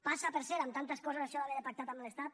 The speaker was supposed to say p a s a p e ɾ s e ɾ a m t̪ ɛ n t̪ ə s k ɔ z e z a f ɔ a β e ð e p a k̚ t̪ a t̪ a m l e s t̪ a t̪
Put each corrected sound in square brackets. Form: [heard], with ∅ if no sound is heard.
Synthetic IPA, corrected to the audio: p a s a p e ɾ s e ɾ a m t̪ [a] n t̪ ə s k ɔ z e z a [ʃ] ɔ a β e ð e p a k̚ t̪ a t̪ a m l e s t̪ a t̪